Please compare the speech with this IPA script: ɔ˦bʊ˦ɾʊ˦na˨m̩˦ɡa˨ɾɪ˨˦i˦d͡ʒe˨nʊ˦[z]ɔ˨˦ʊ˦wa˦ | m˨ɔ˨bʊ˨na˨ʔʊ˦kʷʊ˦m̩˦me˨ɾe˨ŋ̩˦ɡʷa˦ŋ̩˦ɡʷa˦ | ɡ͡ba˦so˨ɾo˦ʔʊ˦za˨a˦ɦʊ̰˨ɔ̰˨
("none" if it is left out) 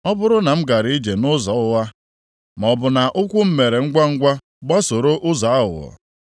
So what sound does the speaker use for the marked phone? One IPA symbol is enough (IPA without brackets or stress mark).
z